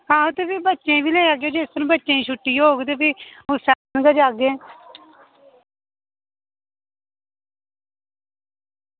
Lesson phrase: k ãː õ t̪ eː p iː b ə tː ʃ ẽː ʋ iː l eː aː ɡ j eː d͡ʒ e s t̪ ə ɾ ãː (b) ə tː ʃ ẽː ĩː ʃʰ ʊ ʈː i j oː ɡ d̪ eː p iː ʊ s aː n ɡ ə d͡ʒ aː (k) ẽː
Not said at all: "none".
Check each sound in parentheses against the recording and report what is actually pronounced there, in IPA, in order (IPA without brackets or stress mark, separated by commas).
b, ɡ